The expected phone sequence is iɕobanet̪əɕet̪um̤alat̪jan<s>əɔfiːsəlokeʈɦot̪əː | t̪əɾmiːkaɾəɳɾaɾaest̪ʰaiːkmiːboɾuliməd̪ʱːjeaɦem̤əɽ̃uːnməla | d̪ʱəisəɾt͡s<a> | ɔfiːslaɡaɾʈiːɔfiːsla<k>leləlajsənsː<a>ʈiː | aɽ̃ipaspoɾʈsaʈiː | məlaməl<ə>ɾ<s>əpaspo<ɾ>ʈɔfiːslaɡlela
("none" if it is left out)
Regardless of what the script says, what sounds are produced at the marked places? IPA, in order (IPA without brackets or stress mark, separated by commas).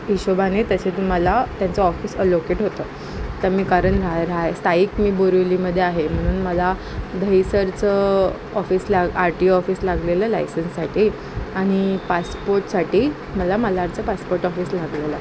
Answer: t͡s, ə, ɡ, a, a, t͡s, ɾ